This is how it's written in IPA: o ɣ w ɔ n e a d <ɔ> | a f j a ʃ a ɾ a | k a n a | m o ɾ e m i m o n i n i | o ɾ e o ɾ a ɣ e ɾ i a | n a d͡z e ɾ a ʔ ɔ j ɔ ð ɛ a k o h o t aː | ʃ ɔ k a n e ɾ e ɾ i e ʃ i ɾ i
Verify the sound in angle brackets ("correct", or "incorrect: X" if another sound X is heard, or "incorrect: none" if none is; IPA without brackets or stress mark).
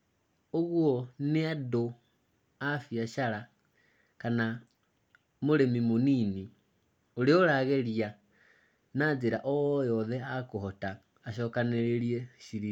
incorrect: o